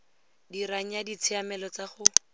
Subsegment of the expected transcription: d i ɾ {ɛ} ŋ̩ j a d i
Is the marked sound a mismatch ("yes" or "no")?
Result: yes